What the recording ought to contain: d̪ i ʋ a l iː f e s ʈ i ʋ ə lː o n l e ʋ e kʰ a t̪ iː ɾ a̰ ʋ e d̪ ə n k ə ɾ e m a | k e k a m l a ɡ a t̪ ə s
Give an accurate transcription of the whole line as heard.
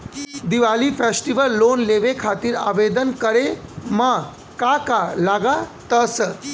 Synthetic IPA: d̪ i ʋ a l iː f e s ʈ i ʋ ə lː o n l e ʋ e kʰ a t̪ iː ɾ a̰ ʋ e d̪ ə n k ə ɾ e m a | k a k a l a ɡ a t̪ ə s